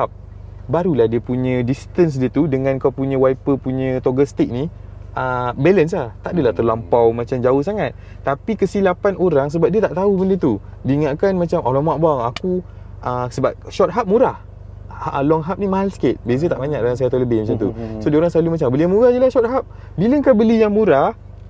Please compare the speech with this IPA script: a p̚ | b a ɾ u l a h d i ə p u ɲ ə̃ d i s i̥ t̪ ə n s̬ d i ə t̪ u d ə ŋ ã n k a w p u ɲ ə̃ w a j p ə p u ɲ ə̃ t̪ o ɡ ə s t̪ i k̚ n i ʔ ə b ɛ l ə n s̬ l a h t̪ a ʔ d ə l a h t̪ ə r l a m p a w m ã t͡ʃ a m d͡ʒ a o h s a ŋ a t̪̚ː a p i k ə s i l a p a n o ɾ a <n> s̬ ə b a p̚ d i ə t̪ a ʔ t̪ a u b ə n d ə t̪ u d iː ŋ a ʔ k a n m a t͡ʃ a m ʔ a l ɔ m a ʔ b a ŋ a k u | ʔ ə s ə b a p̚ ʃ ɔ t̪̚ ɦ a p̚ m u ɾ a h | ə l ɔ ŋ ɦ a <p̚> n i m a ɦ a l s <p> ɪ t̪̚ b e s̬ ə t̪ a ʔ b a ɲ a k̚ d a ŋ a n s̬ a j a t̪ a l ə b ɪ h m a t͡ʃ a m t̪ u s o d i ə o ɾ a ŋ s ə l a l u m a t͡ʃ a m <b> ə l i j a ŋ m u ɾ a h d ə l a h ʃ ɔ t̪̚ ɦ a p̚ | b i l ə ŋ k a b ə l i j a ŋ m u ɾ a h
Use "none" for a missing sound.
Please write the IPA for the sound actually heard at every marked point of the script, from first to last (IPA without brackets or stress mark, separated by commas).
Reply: ŋ, p̚, k, b